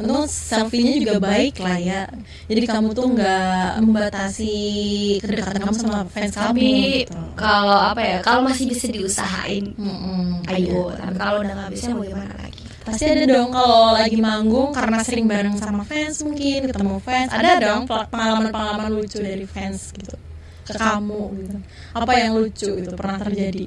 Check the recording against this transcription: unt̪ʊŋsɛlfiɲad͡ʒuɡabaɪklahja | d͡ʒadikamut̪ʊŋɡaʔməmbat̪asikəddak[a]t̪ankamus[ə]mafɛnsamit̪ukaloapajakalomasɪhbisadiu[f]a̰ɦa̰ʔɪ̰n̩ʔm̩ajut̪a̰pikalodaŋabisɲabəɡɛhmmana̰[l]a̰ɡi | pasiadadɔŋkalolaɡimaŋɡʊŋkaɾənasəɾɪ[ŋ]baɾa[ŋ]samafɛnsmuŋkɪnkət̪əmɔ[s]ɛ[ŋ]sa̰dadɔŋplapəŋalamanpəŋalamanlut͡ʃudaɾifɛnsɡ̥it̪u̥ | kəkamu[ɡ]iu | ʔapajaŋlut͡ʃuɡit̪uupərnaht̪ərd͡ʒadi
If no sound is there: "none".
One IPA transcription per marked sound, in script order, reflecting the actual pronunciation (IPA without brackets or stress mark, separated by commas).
a, a, s, l, ŋ, ŋ, f, n, ɡ